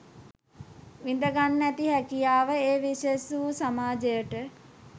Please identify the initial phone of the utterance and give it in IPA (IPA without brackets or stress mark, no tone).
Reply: ʋ